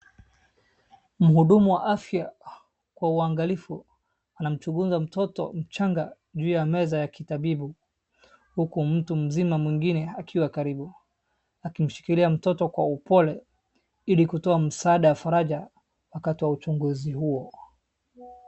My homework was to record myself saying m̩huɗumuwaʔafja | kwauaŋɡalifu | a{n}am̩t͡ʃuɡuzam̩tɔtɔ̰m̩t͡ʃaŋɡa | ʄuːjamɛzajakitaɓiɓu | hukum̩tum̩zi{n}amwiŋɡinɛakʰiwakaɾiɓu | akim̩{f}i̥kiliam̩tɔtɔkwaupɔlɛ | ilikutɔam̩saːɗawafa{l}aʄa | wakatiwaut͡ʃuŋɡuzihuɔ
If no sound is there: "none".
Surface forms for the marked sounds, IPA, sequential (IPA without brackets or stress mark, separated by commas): n, m, ʃ, ɾ